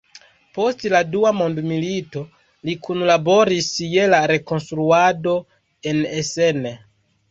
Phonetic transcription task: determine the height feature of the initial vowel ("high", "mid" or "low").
mid